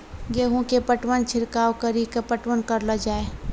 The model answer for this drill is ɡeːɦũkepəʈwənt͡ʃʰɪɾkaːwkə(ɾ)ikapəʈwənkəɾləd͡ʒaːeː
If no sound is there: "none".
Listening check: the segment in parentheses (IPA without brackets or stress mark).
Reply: ɾ